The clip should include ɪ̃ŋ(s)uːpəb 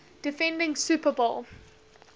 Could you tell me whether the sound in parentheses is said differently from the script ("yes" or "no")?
no